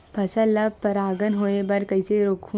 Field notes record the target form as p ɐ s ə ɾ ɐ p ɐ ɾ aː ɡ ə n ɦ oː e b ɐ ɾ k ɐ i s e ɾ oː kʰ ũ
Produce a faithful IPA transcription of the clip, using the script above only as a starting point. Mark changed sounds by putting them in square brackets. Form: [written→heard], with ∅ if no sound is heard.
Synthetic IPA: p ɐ s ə [ɾ→l] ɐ p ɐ ɾ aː ɡ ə n ɦ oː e b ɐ ɾ k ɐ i s e ɾ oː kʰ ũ